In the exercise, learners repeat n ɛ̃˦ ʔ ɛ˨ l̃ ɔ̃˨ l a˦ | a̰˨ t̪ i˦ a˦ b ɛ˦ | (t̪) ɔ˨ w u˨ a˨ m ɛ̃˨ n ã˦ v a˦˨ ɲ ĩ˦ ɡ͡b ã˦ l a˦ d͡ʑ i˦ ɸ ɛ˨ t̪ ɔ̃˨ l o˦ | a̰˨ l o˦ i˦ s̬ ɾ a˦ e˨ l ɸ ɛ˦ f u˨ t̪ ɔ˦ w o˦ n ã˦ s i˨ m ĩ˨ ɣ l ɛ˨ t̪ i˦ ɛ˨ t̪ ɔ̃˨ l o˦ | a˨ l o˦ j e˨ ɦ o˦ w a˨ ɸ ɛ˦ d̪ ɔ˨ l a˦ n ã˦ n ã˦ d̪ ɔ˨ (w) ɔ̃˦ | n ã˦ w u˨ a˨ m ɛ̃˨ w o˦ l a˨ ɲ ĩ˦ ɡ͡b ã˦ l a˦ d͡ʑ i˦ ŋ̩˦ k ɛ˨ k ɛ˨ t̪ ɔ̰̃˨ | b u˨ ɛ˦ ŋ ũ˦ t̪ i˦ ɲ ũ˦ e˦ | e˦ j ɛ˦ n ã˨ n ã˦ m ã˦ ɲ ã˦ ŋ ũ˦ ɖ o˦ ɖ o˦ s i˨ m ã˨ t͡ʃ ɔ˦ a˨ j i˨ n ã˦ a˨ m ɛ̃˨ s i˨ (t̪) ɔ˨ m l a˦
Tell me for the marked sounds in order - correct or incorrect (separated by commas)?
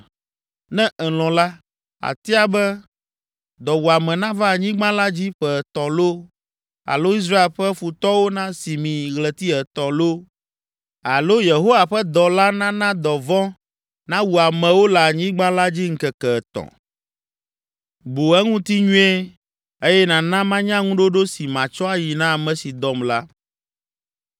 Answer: incorrect, incorrect, incorrect